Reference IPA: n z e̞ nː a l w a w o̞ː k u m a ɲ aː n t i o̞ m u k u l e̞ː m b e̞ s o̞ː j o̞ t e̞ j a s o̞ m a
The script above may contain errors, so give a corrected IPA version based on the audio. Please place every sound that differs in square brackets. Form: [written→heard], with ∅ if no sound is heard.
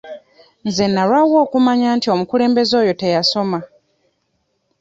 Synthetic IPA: n z e̞ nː a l w a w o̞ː k u m a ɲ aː n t i o̞ m u k u l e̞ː m b e̞ [s→z] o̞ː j o̞ t e̞ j a s o̞ m a